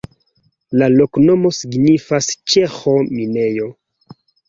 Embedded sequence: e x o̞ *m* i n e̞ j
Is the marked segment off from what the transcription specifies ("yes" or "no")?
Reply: no